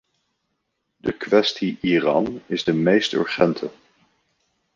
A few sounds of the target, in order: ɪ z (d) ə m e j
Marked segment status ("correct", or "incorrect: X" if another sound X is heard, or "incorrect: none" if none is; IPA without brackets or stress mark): correct